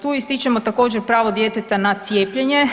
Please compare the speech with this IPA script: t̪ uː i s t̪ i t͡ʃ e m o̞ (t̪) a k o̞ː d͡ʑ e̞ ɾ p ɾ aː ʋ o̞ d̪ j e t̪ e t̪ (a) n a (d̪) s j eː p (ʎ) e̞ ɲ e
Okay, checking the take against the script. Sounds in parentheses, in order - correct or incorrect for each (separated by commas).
correct, correct, incorrect, correct